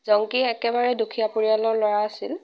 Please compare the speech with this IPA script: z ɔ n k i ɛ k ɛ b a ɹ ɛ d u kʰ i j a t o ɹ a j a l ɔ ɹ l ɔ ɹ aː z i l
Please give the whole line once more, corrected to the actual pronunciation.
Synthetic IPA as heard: z ɔ ŋ k i ɛ k ɛ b a ɹ ɛ d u kʰ i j a p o ɹ i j a l ɔ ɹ l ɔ ɹ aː s i l

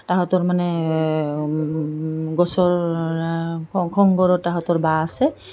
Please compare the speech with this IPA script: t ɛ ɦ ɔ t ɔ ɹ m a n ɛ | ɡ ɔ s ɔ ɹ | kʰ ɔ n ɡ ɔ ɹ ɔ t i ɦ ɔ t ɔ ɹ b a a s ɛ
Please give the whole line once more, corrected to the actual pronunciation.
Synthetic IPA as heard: t a ɦ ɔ t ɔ ɹ m a n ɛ | ɡ ɔ s ɔ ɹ | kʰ ɔ ŋ ɡ ɔ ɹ ɔ t a ɦ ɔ t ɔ ɹ b a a s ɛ

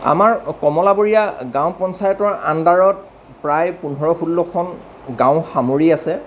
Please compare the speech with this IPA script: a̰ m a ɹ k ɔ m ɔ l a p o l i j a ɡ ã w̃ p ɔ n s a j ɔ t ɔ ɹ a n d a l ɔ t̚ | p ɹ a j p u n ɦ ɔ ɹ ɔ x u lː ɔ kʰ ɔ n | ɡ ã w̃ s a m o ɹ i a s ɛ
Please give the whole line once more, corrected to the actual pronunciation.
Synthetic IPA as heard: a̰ m a ɹ k ɔ m ɔ l a b o ɹ i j a ɡ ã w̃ p ɔ n s a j ɔ t ɔ ɹ a n d a ɹ ɔ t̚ | p ɹ a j p u n ɦ ɔ ɹ ɔ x u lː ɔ kʰ ɔ n | ɡ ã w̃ x a m o ɹ i a s ɛ

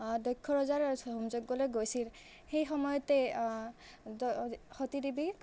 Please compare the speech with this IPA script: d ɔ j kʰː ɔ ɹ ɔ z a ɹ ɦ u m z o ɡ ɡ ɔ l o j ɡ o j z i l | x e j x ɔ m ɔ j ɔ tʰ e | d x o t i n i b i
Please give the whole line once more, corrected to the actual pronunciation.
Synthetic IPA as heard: d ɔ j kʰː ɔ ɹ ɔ z a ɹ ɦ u m z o ɡ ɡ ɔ l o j ɡ o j s i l | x e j x ɔ m ɔ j ɔ t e | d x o t i d i b i

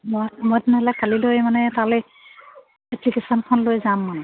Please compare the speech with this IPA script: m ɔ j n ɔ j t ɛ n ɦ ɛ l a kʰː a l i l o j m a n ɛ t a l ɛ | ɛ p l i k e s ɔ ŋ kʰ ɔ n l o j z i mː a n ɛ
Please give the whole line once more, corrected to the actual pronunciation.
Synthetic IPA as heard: m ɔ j m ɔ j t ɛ n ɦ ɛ l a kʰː a l i l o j m a n ɛ t a l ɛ | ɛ p l i k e s ɔ n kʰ ɔ n l o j z a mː a n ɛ

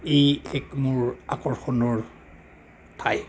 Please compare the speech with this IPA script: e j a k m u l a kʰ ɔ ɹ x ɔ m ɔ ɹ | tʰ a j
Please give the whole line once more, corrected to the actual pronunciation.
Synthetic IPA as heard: e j ɛ k m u ɹ a k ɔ ɹ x ɔ n ɔ ɹ | tʰ a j

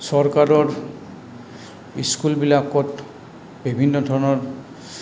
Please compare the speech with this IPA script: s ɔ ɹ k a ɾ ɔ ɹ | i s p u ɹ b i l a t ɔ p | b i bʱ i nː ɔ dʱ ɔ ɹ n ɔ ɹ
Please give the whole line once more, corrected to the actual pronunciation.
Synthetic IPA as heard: s ɔ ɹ k a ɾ ɔ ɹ | i s k u l b i l a k ɔ t | b i bʱ i nː ɔ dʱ ɔ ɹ n ɔ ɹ

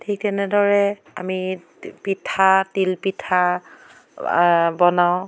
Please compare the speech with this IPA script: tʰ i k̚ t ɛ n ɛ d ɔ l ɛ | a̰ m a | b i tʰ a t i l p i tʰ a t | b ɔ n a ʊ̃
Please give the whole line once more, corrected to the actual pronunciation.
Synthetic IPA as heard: tʰ i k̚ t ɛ n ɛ d ɔ ɹ ɛ | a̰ m i | p i tʰ a t i l p i tʰ a | b ɔ n a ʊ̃

